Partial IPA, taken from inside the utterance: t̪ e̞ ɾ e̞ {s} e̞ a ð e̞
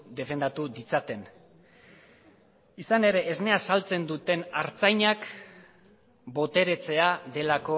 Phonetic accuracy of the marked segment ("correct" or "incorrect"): incorrect